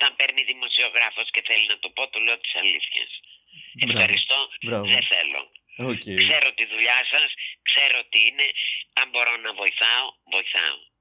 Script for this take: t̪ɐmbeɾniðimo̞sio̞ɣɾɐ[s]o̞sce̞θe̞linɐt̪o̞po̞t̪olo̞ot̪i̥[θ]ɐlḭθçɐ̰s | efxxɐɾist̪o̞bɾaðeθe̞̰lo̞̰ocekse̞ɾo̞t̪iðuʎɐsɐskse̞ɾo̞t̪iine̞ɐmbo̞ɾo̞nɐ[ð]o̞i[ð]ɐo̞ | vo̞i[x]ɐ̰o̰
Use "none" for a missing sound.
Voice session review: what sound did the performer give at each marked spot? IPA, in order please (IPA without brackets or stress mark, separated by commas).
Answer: f, s, v, θ, θ